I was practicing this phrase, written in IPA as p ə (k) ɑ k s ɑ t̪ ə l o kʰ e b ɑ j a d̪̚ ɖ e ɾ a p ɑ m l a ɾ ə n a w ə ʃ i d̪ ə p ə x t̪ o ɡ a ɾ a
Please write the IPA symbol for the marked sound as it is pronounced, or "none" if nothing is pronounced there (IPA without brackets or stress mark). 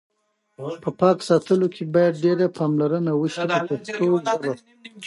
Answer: p